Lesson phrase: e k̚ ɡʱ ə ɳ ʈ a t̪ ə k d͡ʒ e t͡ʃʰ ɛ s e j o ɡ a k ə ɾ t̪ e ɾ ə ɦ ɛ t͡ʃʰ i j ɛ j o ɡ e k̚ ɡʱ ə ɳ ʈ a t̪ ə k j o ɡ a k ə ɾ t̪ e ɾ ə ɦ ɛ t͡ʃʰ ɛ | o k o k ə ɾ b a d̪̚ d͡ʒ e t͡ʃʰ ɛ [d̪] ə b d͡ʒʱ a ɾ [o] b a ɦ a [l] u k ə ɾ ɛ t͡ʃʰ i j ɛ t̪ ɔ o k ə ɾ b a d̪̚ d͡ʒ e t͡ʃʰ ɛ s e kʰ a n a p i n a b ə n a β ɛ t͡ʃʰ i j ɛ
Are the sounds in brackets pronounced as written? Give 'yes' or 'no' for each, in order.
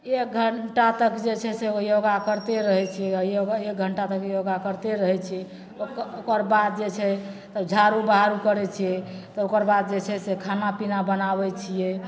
no, no, no

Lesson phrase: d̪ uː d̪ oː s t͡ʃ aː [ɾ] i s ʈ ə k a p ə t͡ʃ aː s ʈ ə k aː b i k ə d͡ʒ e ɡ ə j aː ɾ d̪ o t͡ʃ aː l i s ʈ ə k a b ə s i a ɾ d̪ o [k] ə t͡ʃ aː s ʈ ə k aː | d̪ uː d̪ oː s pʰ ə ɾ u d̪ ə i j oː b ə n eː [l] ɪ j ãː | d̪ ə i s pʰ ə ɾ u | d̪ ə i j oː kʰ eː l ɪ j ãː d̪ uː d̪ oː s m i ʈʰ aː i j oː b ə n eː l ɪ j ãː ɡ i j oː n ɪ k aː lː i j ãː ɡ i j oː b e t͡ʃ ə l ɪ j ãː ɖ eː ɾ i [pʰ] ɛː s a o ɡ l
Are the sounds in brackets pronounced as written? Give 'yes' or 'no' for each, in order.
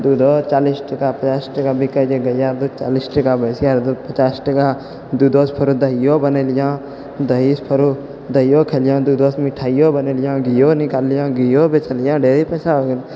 no, no, yes, no

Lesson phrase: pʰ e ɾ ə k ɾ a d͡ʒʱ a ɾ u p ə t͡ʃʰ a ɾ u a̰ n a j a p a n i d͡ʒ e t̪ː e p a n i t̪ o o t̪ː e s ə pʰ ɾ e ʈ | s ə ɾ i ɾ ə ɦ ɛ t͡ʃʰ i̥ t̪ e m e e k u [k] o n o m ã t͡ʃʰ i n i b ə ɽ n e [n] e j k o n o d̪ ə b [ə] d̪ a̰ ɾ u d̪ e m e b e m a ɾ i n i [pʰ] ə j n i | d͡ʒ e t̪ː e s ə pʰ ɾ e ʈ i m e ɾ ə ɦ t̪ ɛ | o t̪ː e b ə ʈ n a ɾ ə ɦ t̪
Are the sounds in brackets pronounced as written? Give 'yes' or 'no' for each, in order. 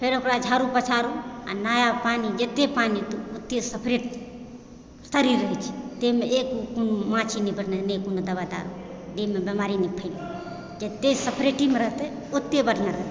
yes, yes, no, yes

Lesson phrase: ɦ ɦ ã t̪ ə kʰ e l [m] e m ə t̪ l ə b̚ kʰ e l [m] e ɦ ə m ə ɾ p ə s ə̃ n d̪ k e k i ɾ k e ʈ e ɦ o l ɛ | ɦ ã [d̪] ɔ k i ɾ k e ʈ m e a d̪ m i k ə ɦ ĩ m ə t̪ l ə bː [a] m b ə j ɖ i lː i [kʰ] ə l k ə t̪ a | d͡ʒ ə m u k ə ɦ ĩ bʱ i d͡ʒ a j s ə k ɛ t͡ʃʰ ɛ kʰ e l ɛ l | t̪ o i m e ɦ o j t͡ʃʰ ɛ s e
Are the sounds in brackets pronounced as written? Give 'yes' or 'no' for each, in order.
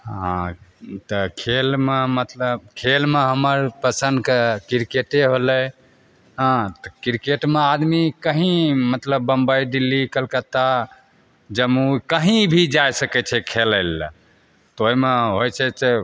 yes, yes, no, no, no

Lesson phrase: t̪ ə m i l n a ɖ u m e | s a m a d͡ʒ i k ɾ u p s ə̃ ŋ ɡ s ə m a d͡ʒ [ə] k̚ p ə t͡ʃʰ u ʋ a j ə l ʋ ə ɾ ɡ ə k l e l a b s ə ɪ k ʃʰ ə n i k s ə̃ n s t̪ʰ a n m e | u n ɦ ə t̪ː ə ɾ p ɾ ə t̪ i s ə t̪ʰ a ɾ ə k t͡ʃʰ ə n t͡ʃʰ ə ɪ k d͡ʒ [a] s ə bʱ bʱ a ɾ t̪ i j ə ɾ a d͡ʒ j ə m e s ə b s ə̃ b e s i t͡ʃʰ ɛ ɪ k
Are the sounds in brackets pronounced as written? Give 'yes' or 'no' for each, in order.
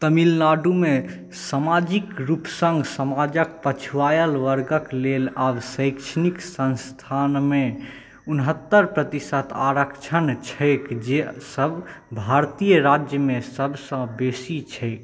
yes, no

